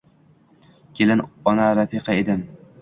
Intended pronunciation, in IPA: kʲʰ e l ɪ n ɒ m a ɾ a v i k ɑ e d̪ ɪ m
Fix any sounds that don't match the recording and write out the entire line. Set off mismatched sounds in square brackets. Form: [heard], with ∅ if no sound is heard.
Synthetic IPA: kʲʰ e l ɪ n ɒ [n] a ɾ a [f] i [q] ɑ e d̪ ɪ m